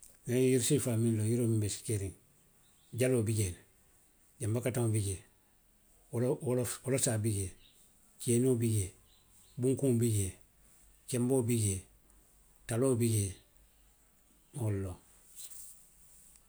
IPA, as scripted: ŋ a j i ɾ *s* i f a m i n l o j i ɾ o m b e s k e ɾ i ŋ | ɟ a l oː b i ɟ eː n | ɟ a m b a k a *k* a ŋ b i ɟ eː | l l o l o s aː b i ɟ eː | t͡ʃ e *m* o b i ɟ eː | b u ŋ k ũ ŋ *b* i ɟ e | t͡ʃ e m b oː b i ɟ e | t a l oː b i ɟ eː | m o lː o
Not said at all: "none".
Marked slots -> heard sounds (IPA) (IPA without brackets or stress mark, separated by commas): s, t, n, b